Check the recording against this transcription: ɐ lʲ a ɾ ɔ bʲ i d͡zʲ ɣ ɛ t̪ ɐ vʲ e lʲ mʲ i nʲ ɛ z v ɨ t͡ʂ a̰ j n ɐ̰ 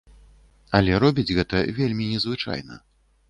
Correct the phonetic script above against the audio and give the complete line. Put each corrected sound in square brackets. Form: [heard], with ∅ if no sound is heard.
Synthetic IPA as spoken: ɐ lʲ [ɛ] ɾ ɔ bʲ i d͡zʲ ɣ ɛ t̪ ɐ vʲ e lʲ mʲ i nʲ ɛ z v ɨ t͡ʂ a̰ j n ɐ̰